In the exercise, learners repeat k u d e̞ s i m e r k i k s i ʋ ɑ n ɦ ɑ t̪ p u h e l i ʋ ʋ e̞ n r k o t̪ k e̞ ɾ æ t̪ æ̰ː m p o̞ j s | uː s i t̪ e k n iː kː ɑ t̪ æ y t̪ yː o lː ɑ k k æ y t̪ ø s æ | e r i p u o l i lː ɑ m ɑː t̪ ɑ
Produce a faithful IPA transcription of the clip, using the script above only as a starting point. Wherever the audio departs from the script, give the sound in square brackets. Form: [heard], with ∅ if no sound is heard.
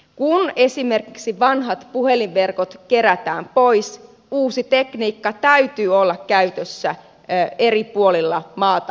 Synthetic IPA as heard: k u [n] e̞ s i m e r k i k s i ʋ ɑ n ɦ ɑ t̪ p u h e l i ʋ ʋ e̞ [∅] r k o t̪ k e̞ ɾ æ t̪ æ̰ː m p o̞ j s | uː s i t̪ e k n iː kː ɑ t̪ æ y t̪ yː o lː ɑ k k æ y t̪ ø [sː] æ | e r i p u o l i lː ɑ m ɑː t̪ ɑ